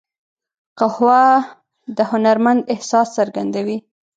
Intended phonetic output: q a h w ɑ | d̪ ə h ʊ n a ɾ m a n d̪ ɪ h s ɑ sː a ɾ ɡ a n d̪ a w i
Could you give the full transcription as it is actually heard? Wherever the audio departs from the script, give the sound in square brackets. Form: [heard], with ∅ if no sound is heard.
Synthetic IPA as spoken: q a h w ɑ | d̪ ə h ʊ n a ɾ m a n d̪ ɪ h s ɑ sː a ɾ ɡ a n d̪ a w i